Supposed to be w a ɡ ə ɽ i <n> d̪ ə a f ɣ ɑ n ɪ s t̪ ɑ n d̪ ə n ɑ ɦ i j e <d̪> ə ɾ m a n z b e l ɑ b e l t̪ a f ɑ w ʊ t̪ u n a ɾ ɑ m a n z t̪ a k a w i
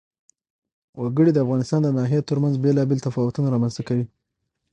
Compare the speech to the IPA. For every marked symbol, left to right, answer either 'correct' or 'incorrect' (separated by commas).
incorrect, incorrect